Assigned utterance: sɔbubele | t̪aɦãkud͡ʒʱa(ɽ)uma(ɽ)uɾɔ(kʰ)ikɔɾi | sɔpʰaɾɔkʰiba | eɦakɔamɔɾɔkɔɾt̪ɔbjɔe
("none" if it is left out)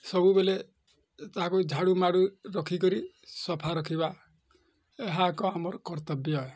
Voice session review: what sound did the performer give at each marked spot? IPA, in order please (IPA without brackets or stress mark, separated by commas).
ɽ, ɽ, kʰ